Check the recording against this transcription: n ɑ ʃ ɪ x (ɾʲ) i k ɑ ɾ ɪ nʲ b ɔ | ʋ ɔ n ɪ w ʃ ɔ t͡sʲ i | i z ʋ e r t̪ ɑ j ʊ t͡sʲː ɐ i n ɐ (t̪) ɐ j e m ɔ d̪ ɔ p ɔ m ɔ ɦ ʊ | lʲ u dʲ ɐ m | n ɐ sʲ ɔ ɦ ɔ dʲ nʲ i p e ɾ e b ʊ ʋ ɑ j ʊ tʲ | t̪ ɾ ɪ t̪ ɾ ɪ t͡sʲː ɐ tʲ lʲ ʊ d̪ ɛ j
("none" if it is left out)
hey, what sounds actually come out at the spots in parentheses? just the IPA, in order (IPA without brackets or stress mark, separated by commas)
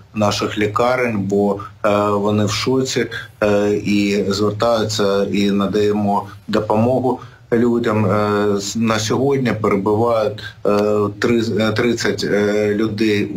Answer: lʲ, d̪